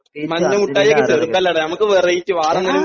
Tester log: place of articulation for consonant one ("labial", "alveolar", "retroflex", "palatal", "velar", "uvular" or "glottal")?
labial